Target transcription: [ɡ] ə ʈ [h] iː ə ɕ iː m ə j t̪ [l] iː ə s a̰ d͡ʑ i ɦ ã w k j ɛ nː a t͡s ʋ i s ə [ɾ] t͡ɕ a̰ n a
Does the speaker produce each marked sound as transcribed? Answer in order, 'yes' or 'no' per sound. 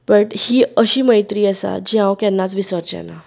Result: no, yes, no, yes

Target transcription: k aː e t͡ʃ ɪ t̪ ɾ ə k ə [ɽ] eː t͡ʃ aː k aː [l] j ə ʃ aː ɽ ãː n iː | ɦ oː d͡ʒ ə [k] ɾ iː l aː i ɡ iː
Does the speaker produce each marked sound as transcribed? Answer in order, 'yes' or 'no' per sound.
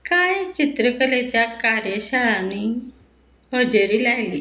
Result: no, no, no

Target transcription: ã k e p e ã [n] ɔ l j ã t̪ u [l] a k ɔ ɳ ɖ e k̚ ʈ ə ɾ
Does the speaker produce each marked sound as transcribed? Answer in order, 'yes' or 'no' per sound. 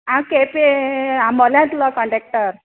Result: no, yes

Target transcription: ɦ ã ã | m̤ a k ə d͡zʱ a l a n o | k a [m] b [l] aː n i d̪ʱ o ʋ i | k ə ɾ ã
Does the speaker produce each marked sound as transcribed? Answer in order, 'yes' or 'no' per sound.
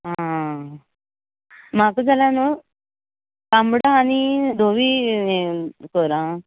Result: yes, no

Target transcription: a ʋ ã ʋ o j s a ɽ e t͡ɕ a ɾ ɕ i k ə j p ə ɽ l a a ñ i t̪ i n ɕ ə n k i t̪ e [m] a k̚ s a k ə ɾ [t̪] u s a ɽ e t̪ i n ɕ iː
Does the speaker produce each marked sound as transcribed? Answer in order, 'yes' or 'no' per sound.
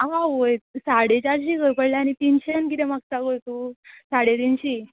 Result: yes, yes

